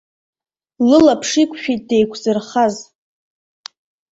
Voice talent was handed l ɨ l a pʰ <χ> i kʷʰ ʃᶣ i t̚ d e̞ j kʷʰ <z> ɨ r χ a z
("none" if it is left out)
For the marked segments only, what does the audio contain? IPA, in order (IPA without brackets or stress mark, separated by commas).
ʂ, z